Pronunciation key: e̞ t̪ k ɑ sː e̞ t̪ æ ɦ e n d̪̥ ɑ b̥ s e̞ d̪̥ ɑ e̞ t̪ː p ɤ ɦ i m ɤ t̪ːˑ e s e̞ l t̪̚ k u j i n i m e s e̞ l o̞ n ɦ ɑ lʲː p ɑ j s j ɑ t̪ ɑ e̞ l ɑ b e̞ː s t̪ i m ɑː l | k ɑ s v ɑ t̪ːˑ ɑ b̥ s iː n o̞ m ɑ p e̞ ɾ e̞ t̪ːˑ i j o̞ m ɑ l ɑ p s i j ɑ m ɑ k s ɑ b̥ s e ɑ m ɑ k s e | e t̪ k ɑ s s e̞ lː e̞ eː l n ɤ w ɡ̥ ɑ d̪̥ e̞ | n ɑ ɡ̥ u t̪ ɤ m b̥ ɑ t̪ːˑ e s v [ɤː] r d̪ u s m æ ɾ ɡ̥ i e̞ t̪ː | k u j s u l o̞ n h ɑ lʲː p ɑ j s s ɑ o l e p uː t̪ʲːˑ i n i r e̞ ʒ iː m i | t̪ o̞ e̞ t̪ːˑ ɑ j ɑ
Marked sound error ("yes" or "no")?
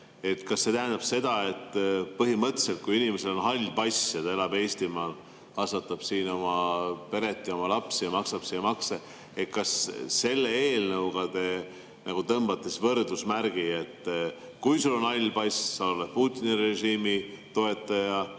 yes